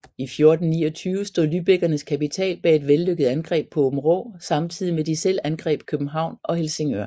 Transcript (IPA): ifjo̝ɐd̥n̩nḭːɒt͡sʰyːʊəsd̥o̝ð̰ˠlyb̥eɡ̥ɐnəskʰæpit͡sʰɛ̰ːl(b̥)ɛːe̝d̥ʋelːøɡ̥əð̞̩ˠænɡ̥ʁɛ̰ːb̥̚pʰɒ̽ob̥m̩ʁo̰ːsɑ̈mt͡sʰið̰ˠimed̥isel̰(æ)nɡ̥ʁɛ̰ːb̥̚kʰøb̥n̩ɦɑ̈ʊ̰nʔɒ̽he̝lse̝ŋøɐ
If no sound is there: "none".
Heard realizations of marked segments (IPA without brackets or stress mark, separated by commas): b̥, æ